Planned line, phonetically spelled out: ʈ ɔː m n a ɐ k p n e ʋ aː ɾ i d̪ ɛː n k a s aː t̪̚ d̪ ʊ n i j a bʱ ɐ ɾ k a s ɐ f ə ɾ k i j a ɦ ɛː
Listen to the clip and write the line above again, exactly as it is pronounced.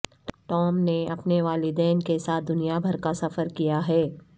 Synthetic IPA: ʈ ɔː m n e ɐ p n e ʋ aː l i d̪ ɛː n k e s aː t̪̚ d̪ ʊ n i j a bʱ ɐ ɾ k a s ɐ f ə ɾ k i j a ɦ ɛː

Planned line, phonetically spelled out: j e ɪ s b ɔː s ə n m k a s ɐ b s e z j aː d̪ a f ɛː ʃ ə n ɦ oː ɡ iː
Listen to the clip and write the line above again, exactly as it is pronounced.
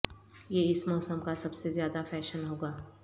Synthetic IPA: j e ɪ s m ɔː s ə m k a s ɐ b s e z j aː d̪ a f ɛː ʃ ə n ɦ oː ɡ aː

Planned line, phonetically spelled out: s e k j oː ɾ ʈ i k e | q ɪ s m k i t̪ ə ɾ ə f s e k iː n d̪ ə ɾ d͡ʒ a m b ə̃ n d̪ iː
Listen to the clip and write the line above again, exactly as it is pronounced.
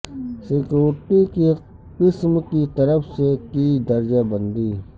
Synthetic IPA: s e k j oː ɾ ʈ i k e | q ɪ s m k i t̪ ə ɾ ə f s e k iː d̪ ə ɾ d͡ʒ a b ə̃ n d̪ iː

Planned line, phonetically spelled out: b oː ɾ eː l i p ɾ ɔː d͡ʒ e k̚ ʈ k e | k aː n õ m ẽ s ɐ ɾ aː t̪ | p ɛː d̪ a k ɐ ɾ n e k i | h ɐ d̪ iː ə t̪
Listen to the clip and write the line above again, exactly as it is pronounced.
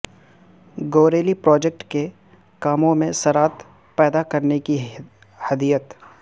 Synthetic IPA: ɡ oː ɾ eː l i p ɾ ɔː d͡ʒ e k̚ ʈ k e | k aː m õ m ẽ s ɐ ɾ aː t̪ | p ɛː d̪ a k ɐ ɾ n e k i | h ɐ d̪ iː ə t̪

